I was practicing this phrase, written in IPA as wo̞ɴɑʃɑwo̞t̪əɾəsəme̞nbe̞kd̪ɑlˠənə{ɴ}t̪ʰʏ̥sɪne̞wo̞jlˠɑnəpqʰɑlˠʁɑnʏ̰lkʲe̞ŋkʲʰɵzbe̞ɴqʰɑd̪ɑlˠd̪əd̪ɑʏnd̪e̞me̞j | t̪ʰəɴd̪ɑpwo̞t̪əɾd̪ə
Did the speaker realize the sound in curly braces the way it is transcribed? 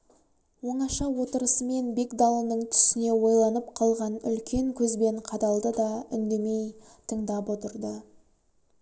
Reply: yes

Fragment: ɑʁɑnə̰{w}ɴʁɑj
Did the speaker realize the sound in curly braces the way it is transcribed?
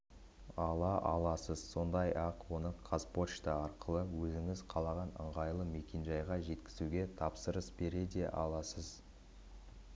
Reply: no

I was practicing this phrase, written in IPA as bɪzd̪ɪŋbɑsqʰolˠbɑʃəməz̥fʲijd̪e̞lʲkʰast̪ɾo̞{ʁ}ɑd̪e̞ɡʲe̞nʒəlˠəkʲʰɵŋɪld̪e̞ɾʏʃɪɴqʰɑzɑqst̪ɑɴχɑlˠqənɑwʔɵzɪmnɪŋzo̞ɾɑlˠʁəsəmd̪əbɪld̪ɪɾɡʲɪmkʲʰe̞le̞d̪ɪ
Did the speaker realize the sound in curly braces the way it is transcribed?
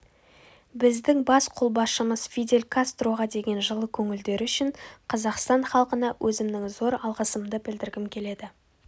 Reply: yes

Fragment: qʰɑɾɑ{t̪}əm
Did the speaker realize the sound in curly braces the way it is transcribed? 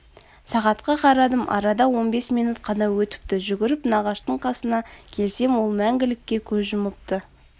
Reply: no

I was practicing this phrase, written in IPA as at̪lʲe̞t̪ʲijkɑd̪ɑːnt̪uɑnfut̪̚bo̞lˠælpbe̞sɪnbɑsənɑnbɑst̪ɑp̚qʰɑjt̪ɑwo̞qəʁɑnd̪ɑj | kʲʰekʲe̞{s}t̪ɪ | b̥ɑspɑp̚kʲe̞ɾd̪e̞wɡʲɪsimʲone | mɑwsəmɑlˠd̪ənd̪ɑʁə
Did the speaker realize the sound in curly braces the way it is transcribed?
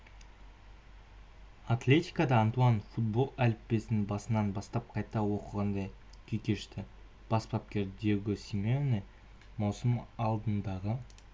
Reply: no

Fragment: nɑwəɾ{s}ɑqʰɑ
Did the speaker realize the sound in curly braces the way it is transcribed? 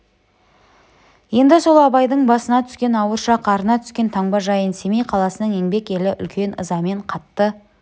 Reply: no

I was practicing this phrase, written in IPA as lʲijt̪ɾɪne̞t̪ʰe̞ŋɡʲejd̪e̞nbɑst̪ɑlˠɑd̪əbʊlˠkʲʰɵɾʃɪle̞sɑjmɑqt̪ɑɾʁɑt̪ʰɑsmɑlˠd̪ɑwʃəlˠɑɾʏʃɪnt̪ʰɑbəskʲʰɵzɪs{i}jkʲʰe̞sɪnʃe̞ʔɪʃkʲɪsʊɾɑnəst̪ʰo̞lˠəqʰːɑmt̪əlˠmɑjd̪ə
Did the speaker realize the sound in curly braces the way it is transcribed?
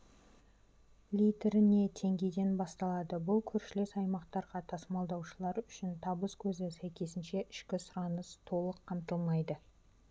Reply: no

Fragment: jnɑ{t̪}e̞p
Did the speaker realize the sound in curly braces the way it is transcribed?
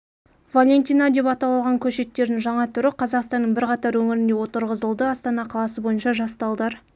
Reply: no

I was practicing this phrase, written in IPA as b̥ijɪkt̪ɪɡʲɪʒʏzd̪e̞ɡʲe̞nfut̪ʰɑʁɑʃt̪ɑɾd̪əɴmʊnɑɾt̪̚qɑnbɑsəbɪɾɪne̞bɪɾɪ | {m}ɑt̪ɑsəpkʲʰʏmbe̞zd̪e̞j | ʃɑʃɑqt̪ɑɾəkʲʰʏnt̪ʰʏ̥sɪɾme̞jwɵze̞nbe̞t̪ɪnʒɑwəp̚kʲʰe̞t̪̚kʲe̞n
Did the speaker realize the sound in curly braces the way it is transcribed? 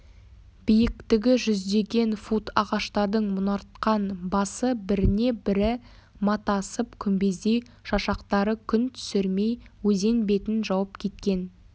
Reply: yes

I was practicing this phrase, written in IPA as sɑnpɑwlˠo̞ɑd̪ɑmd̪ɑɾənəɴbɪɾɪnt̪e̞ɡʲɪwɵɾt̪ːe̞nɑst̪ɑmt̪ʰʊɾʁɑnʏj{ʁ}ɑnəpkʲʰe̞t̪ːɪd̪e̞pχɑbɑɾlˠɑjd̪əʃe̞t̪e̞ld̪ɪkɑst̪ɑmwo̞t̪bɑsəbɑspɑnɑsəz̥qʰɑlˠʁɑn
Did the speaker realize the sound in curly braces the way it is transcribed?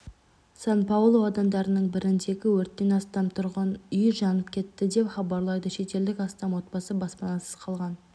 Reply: no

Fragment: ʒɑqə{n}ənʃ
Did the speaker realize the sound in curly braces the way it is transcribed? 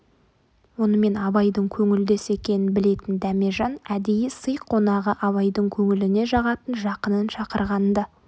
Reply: yes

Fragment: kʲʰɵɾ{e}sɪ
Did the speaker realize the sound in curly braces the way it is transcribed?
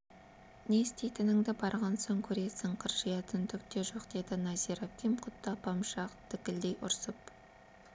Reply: yes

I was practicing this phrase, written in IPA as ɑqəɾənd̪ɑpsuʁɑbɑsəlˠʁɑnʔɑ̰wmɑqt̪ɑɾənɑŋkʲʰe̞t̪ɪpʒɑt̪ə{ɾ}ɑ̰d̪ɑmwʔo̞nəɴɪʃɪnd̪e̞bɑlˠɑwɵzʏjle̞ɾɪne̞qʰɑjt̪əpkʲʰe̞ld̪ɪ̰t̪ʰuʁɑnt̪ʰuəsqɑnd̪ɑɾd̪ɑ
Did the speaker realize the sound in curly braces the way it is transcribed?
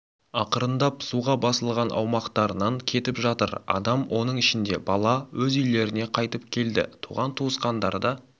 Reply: yes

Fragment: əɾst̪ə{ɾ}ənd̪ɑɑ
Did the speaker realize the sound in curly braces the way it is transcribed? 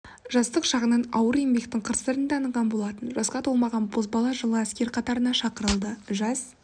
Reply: yes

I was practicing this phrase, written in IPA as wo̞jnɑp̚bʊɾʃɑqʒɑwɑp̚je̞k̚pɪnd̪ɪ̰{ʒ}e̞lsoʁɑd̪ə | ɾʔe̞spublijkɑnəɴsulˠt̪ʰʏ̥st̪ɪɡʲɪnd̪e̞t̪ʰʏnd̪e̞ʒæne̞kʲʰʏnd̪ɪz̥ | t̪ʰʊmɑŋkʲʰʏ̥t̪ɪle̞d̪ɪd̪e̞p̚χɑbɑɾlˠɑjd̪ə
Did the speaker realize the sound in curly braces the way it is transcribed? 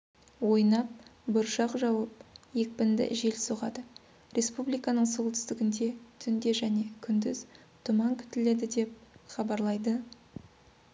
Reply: yes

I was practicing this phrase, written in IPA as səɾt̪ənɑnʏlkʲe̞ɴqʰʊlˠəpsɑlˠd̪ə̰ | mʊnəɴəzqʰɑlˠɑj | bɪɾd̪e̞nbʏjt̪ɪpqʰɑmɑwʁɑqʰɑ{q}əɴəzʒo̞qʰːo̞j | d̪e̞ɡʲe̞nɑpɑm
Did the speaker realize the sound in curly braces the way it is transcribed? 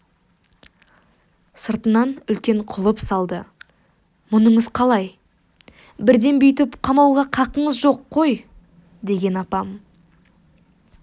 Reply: yes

